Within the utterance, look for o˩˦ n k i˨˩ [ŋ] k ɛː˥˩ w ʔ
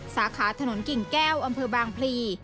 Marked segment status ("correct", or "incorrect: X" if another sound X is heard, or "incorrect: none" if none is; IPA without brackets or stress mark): correct